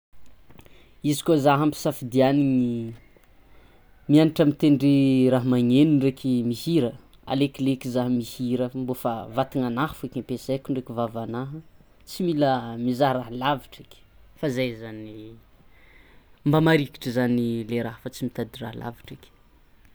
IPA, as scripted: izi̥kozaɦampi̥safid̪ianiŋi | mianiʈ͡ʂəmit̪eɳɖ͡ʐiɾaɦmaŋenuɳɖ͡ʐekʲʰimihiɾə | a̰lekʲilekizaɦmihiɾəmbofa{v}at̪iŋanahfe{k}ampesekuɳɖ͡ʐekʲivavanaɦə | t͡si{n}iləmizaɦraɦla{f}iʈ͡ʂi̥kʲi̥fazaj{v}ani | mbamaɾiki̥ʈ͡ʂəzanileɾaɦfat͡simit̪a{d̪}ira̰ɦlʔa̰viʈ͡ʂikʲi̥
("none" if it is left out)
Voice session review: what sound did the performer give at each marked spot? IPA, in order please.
v, k, m, v, z, d̪

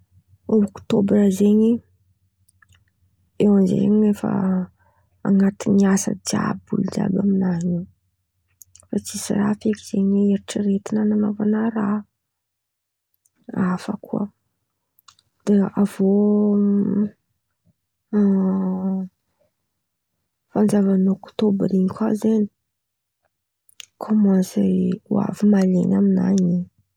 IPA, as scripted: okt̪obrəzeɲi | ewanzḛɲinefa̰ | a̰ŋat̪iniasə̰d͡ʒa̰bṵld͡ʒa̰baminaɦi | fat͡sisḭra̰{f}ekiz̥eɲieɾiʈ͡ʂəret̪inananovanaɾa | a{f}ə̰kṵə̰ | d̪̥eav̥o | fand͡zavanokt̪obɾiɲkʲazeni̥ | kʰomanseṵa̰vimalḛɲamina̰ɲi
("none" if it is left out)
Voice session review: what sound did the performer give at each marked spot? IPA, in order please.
f, f

